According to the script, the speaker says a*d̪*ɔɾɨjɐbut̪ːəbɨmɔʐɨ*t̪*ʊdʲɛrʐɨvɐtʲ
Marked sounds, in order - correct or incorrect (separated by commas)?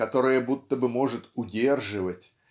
incorrect, correct